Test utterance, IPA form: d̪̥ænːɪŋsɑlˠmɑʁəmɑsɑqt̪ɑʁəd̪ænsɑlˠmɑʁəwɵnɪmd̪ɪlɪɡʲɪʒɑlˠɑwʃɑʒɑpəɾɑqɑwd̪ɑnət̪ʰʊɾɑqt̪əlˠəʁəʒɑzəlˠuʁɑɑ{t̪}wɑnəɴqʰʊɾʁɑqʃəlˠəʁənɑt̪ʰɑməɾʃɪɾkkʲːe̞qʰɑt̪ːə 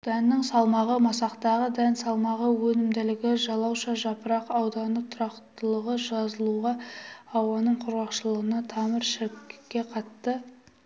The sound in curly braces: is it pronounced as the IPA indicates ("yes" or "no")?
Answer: no